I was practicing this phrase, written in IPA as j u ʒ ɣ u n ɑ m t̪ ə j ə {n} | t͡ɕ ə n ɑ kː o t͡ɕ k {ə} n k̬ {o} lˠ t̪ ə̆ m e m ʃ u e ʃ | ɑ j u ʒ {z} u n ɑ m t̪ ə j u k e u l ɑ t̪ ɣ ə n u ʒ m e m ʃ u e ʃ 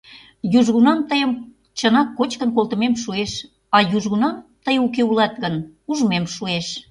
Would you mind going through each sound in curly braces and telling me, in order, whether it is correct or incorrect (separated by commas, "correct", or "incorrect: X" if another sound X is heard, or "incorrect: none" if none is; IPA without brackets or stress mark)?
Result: incorrect: m, correct, correct, incorrect: ɣ